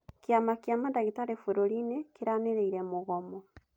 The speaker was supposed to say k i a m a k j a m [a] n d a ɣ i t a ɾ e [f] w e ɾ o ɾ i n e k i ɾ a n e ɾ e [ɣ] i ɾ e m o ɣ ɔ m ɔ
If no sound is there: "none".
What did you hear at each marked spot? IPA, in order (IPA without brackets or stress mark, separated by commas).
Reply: a, f, none